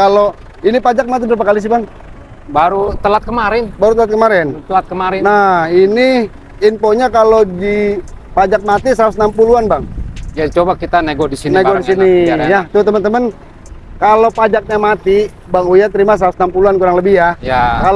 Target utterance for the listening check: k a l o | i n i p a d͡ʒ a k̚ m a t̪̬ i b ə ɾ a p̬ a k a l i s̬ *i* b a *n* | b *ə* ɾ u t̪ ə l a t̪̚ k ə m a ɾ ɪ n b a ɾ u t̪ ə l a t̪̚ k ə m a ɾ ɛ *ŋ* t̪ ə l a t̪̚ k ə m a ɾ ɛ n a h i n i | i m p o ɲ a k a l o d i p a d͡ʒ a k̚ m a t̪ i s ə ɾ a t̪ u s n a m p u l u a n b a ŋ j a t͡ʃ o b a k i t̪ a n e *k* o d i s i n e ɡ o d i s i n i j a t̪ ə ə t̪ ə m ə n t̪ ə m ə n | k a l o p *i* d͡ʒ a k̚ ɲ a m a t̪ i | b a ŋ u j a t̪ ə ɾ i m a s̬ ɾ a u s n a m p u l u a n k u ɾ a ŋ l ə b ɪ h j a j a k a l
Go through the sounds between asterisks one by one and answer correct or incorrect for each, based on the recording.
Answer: correct, incorrect: ŋ, incorrect: a, incorrect: n, incorrect: ɡ, incorrect: a

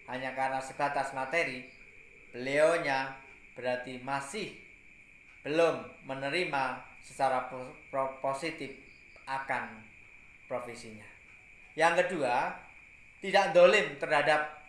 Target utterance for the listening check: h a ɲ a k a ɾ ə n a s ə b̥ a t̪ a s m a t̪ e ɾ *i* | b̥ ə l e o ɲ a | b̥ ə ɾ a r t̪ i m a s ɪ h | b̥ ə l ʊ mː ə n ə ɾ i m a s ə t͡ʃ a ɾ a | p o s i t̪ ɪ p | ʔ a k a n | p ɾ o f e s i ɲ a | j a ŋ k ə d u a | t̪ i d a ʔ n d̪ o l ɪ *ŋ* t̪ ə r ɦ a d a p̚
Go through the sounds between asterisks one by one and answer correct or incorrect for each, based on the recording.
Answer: correct, incorrect: m

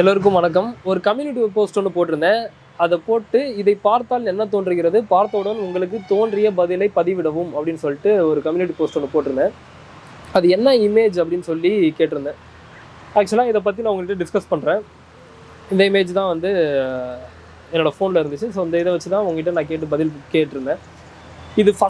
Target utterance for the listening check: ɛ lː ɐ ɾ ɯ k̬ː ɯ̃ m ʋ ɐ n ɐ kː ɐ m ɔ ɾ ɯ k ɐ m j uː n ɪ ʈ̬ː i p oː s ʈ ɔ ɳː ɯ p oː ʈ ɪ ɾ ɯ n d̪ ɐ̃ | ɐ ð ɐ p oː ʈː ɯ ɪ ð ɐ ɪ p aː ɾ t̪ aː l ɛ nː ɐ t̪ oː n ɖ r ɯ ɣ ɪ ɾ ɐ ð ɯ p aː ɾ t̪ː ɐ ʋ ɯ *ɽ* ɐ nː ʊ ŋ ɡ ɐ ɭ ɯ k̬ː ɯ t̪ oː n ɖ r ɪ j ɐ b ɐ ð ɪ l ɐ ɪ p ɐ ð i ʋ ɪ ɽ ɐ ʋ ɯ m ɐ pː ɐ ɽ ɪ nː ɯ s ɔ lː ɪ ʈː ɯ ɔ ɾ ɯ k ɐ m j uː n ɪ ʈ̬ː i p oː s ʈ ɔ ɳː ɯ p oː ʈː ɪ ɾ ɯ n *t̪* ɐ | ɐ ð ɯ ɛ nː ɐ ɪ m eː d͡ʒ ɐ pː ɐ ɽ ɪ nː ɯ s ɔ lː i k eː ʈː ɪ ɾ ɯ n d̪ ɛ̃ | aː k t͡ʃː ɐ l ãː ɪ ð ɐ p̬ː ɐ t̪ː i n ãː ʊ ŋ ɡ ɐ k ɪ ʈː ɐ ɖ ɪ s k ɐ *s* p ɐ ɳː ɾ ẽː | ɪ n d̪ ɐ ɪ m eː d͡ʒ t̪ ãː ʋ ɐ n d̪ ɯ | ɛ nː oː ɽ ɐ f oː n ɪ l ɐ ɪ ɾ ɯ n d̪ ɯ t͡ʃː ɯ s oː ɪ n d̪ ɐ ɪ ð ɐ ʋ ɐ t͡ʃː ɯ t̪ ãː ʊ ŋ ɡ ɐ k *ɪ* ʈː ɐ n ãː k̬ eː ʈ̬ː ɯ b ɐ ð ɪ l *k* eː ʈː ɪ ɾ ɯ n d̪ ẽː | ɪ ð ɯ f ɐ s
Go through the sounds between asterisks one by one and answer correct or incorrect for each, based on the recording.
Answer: correct, incorrect: d̪, correct, correct, correct

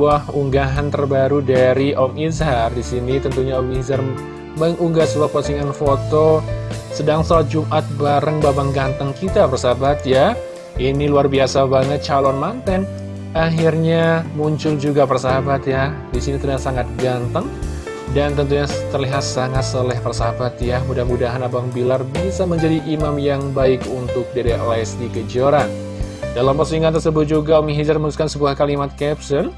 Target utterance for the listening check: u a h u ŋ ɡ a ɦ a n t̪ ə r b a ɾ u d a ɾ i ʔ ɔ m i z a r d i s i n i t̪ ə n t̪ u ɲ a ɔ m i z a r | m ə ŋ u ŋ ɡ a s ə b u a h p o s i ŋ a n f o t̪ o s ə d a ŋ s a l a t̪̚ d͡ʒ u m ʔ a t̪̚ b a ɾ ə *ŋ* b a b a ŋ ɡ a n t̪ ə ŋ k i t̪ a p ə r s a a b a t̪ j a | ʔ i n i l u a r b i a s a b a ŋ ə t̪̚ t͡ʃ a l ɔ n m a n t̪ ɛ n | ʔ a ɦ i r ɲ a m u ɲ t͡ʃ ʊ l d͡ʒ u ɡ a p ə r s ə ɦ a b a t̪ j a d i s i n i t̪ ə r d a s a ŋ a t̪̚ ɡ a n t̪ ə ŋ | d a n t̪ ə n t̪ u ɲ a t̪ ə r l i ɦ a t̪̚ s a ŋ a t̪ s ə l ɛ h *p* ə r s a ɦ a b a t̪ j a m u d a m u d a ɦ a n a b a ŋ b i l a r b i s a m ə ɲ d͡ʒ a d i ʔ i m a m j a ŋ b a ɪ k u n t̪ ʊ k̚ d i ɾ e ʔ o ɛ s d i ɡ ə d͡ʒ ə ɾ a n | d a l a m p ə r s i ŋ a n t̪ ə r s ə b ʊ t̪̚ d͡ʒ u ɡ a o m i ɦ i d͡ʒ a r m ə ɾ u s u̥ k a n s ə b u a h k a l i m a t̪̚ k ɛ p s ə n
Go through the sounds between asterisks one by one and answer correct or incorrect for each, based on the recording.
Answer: correct, correct

